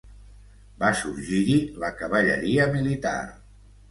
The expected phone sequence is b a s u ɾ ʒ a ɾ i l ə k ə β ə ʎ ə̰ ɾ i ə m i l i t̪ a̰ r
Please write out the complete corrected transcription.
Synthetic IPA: b a s u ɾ ʒ i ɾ i l ə k ə β ə ʎ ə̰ ɾ i ə m i l i t̪ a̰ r